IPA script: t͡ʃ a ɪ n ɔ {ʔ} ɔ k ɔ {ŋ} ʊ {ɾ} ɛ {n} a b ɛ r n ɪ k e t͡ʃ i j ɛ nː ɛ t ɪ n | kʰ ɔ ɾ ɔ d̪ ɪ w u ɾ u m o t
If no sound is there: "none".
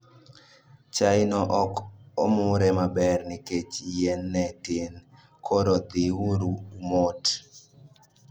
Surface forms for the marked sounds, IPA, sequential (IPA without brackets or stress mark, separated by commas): ʔ, m, ɾ, m